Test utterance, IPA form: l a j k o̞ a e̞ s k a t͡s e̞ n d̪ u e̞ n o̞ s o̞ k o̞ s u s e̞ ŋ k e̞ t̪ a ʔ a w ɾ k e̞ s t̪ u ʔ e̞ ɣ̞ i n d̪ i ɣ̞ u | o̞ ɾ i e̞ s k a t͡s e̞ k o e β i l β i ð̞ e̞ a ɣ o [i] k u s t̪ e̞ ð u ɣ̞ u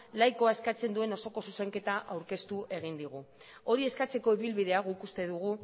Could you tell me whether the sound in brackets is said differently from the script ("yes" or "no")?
no